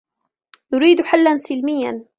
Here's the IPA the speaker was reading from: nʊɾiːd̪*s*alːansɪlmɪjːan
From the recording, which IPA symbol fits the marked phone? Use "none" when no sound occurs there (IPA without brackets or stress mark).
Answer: ħ